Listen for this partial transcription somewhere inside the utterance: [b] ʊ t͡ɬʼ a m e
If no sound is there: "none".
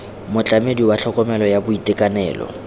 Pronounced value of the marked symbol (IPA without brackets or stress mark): m